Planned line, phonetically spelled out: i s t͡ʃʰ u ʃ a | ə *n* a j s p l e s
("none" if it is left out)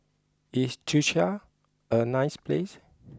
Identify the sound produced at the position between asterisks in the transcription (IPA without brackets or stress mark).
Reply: n